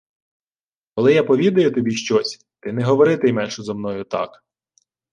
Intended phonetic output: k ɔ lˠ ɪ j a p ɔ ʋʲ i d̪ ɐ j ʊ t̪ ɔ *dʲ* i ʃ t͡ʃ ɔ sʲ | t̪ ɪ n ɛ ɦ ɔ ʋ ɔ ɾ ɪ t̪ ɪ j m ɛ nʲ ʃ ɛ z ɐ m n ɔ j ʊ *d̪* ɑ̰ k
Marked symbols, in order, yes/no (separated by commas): no, no